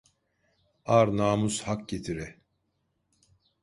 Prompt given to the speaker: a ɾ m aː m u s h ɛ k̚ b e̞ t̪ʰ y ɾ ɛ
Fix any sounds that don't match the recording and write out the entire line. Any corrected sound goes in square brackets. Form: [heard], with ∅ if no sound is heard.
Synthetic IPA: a ɾ [n] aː m u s h [a] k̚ [ɟ] e̞ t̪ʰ [i] ɾ ɛ